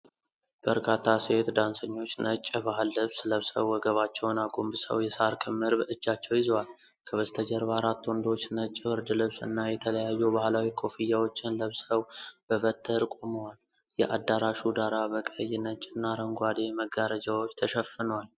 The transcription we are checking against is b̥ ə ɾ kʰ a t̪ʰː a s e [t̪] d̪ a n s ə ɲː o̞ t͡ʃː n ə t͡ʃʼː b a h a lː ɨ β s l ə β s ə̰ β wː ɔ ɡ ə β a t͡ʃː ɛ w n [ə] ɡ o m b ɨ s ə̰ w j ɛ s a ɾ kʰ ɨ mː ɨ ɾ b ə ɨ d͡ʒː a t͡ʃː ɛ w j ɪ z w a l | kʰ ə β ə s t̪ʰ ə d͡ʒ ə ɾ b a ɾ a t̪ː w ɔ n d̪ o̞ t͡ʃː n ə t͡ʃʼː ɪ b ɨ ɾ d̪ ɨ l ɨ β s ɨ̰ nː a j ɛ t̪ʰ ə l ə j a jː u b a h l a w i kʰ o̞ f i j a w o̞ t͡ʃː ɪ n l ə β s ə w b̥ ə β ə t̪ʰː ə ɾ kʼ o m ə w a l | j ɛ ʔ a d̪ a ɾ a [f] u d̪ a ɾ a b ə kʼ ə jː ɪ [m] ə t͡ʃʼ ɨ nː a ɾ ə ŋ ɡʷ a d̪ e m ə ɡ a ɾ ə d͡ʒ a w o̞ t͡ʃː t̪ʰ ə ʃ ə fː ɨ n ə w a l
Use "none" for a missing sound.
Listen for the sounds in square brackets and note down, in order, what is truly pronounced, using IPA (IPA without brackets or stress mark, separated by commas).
t̪, a, ʃ, n